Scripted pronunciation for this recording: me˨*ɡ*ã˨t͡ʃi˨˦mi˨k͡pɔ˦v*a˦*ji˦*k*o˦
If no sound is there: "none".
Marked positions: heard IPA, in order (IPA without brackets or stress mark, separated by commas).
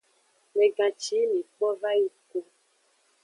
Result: ɡ, a˦, k